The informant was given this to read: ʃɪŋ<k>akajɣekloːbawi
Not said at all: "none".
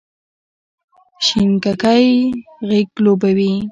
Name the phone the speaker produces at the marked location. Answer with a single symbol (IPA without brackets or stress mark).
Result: k